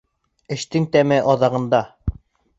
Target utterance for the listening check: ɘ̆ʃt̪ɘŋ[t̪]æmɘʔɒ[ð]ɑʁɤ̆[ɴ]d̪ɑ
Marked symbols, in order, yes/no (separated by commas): yes, yes, no